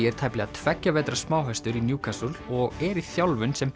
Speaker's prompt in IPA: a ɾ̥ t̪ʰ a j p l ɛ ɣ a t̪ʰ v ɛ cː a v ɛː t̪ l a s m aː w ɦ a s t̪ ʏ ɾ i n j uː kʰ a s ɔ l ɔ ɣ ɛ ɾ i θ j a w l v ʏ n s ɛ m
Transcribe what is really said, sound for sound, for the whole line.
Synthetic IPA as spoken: ɛ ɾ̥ t̪ʰ a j p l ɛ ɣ a t̪ʰ v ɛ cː a v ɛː t̪ ɾ a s m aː w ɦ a s t̪ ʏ ɾ i n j uː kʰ a s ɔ l ɔ ɣ ɛ ɾ i θ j a w l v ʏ n s ɛ m

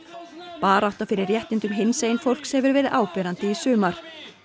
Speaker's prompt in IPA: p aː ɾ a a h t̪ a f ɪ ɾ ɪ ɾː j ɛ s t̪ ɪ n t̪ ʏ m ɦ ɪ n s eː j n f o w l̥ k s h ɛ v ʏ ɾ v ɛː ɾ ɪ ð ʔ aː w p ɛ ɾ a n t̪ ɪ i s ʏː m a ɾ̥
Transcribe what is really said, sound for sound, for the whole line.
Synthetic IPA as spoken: p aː ɾ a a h t̪ a f ɪ ɾ ɪ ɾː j ɛ h t̪ ɪ n t̪ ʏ m ɦ ɪ n s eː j n f o w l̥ k s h ɛ v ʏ ɾ v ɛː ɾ ɪ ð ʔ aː w p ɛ ɾ a n t̪ ɪ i s ʏː m a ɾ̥

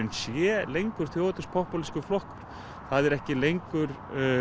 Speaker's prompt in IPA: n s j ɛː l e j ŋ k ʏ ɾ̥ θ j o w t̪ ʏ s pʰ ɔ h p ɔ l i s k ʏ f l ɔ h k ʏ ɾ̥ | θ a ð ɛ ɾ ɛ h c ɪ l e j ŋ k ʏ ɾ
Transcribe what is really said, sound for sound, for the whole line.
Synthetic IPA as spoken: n s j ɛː l e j ŋ k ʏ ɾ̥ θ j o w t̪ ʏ s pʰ ɔ h p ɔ l i s k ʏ f l ɔ h k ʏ ɾ̥ | θ a ð ɛ ɾ ɛ h c ɪ l e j ŋ k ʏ ɾ

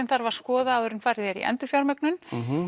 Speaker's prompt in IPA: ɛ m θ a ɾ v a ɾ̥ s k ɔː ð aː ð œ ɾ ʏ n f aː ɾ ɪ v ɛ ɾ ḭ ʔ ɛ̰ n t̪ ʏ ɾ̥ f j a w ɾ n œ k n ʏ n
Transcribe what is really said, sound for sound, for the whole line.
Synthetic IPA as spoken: ɛ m θ a ɾ v a ɾ̥ s k ɔː ð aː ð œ ɾ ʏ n f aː ɾ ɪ ð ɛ ɾ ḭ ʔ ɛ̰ n t̪ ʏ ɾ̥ f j a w ɾ m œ k n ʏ n

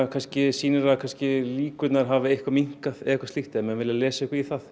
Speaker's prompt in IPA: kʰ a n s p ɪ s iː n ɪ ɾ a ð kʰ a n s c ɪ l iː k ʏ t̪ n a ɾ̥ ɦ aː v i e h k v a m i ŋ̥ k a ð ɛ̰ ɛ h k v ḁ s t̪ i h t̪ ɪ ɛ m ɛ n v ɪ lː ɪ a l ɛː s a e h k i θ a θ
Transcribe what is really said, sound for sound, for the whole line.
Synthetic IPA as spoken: kʰ a n s c ɪ s iː n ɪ ɾ a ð kʰ a n s c ɪ l iː k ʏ t̪ n a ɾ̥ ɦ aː v ɪ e h k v a m i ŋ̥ k a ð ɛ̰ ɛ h k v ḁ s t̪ i h t̪ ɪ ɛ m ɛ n v ɪ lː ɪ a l ɛː s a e h k i θ a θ

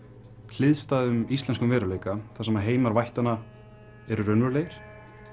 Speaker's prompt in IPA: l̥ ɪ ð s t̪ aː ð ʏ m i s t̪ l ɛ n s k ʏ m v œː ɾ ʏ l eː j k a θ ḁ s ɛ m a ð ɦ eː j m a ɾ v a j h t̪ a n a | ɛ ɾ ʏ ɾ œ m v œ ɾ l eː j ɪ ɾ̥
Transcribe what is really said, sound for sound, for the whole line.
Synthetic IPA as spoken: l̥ ɪ ð s t̪ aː ð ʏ m i s t̪ l ɛ n s k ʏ m v ɛː ɾ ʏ l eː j k a θ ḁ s ɛ m a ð ɦ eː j m a ɾ v a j h t̪ a n a | ɛ ɾ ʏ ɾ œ n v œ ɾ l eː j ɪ ɾ̥

